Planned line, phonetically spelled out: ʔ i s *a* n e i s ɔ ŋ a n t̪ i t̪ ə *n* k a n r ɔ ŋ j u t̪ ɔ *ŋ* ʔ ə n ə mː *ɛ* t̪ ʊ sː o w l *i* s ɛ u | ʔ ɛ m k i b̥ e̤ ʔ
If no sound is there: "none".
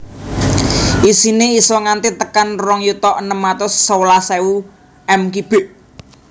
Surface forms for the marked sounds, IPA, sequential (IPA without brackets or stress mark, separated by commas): i, none, none, a, a